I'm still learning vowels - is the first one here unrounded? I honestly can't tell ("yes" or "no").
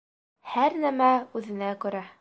yes